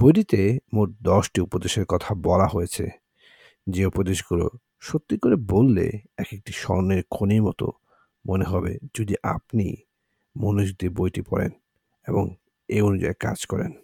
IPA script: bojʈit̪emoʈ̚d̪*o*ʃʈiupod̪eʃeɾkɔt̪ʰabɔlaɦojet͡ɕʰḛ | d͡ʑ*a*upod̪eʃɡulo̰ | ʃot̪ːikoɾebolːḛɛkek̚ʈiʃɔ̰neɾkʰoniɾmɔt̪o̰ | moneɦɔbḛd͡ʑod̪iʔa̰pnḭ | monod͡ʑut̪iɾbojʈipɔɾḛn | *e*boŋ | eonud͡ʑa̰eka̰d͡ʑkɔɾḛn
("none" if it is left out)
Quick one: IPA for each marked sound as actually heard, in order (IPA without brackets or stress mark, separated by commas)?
ɔ, e, e